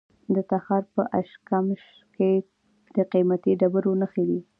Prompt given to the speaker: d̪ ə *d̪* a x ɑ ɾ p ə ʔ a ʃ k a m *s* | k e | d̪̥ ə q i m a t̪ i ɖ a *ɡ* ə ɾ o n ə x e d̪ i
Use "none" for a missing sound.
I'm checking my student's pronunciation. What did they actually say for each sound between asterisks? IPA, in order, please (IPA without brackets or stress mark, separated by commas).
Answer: t̪, ʃ, b